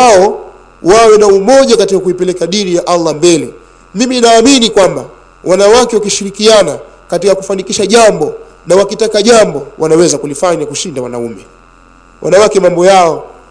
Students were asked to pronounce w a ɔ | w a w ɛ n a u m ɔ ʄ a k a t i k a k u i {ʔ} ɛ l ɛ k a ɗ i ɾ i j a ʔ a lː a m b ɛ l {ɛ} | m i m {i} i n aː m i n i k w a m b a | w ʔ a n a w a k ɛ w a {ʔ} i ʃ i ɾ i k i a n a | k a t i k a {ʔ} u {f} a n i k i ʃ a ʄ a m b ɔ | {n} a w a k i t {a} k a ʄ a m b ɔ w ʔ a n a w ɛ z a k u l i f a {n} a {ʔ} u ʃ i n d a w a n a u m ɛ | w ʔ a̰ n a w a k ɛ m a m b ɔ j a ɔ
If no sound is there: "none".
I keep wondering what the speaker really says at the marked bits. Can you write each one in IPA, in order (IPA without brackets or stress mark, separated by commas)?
p, ɛ, i, k, k, f, n, a, ɲ, k